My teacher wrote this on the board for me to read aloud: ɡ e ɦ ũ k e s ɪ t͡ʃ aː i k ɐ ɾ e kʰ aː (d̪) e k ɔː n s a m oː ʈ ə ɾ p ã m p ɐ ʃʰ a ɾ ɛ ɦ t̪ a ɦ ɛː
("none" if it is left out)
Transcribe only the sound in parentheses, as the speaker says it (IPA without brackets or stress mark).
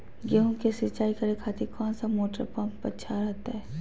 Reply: t̪